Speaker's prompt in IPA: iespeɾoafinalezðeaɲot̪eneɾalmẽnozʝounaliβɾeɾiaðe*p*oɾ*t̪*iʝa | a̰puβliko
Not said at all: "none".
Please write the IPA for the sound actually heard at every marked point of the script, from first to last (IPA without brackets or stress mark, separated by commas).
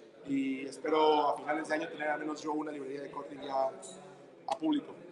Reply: k, t̪